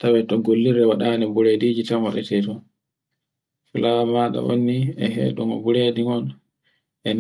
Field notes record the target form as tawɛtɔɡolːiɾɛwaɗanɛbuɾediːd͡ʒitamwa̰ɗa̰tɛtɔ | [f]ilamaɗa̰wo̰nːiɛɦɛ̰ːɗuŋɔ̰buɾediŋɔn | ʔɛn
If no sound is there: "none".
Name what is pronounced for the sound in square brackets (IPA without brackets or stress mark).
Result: f